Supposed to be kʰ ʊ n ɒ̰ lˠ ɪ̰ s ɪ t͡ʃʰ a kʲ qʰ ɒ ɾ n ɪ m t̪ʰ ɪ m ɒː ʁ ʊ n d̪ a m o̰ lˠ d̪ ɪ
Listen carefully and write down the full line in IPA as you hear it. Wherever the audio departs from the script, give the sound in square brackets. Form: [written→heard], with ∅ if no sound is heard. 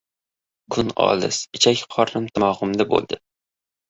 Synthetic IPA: kʰ ʊ n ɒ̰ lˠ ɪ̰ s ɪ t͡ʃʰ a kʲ qʰ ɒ ɾ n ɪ m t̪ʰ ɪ m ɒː ʁ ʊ [n→m] d̪ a [m→b] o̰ lˠ d̪ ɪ